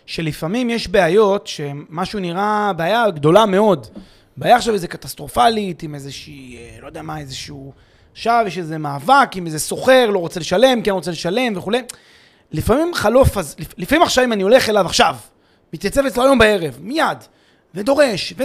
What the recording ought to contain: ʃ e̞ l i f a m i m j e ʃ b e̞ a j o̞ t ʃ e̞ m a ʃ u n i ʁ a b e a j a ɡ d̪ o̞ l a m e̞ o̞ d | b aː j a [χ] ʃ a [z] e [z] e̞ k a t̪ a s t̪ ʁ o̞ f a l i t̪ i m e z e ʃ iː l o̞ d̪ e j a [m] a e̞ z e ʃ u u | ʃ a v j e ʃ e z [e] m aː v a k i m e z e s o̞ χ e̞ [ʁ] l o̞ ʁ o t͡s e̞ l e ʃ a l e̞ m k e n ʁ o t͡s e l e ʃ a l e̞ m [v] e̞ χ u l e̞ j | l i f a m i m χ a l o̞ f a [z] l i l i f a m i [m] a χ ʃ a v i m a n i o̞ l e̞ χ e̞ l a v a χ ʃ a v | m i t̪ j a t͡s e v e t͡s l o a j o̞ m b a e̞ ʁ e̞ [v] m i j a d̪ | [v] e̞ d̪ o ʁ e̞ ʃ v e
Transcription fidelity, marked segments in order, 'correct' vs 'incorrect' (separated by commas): correct, incorrect, correct, correct, correct, correct, correct, correct, correct, correct, correct